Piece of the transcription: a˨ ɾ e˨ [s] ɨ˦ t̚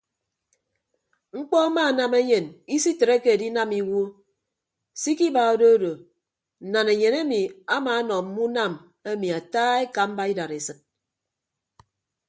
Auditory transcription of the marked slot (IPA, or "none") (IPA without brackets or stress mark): s